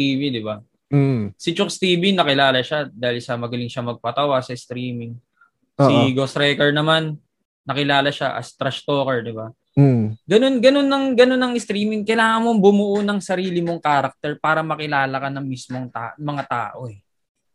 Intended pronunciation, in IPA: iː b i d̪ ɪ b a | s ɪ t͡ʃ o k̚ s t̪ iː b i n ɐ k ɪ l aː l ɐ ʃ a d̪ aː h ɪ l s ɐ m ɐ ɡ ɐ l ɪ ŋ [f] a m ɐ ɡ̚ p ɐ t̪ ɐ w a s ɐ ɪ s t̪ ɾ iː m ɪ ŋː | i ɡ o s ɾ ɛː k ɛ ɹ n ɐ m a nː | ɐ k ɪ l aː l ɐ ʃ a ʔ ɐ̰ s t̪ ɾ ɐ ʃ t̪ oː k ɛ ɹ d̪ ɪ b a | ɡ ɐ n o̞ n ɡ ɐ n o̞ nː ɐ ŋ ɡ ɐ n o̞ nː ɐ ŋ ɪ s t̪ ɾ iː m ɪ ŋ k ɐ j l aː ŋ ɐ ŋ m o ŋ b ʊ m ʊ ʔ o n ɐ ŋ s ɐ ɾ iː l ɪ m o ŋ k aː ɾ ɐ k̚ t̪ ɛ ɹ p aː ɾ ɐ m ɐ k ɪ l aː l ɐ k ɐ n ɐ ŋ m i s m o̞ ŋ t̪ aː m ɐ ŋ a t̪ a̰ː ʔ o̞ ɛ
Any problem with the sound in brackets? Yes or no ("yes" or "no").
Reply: yes